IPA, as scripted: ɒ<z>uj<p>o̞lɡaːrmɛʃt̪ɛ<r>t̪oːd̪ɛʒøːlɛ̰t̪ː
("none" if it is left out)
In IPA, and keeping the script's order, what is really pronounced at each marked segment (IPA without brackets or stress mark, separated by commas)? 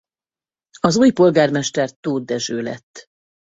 z, p, r